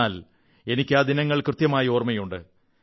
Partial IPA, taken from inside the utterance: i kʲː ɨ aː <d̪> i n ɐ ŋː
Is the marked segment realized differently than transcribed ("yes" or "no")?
no